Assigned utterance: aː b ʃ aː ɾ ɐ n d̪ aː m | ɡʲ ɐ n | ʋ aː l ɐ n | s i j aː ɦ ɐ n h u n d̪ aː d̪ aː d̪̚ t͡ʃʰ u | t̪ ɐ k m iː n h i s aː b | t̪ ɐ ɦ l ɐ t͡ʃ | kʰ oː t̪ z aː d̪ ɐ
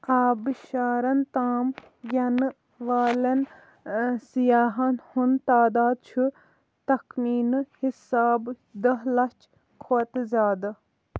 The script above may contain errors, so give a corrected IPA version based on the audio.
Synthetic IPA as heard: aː b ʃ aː ɾ ɐ n t̪ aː m | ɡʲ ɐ n | ʋ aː l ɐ n | s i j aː ɦ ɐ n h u n t̪ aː d̪ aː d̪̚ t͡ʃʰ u | t̪ ɐ k m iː n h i s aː b | d̪ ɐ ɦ l ɐ t͡ʃ | kʰ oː t̪ z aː d̪ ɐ